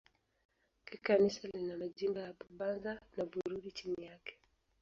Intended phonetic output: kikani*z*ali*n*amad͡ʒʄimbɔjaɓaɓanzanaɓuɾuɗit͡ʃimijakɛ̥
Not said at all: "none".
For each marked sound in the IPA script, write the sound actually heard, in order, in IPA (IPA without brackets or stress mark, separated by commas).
s, n